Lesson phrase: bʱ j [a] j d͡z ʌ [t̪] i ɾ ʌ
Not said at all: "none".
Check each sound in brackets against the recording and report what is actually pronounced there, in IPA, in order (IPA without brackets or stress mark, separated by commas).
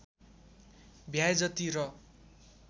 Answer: a, t̪